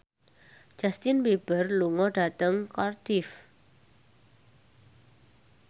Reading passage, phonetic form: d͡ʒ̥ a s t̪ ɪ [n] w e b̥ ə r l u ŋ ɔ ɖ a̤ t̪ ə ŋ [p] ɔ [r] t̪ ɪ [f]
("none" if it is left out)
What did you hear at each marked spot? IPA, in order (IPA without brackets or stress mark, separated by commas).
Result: n, k, r, f